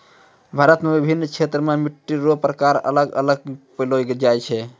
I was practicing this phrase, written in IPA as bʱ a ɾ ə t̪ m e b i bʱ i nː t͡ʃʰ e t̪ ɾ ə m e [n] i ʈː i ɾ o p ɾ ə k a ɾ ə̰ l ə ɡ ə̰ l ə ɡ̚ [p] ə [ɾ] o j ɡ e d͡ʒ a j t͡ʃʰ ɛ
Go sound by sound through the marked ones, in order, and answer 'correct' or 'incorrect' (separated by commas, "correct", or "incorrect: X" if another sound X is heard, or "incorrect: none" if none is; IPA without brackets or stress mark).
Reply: incorrect: m, correct, incorrect: l